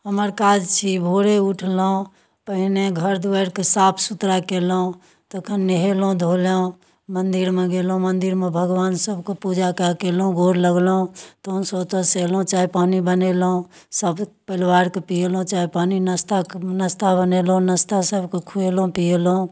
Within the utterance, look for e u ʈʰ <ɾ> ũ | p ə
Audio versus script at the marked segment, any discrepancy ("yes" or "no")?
yes